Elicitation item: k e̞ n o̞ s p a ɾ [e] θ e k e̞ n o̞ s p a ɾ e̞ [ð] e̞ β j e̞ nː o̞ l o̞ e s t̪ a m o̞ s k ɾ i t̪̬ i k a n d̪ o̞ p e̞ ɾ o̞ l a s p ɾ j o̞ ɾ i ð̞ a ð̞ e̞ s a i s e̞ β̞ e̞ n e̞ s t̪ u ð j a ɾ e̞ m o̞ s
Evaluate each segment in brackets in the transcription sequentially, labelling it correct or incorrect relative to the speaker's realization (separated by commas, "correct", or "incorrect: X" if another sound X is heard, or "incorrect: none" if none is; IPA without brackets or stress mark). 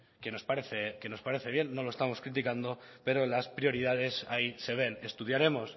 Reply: correct, incorrect: θ